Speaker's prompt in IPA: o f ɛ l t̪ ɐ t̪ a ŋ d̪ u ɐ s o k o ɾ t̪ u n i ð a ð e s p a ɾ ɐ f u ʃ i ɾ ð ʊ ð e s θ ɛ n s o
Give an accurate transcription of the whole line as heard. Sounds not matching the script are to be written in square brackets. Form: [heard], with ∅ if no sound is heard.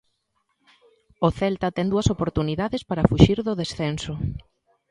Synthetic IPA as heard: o [θ] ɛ l t̪ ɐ t̪ [ɛ] ŋ d̪ u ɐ s o [p] o ɾ t̪ u n i ð a ð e s p a ɾ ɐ f u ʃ i ɾ ð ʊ ð e s θ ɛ n s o